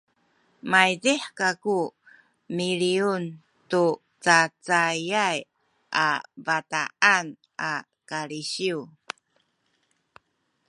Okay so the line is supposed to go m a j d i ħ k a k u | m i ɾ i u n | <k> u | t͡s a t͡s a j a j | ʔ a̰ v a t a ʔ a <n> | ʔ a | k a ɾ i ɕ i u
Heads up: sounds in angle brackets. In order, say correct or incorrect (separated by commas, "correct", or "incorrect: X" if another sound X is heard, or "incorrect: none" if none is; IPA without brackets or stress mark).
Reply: incorrect: t, correct